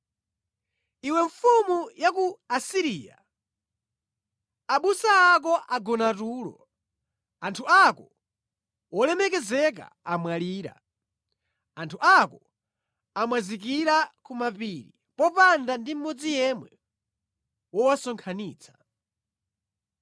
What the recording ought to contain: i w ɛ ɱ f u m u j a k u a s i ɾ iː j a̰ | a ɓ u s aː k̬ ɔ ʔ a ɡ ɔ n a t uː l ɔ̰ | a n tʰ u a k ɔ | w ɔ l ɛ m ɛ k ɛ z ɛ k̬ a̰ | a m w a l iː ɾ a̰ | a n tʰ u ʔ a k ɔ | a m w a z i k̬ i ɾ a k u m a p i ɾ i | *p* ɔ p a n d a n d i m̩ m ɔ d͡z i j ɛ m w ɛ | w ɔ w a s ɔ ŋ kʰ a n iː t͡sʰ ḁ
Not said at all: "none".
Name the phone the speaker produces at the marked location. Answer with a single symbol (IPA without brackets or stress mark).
p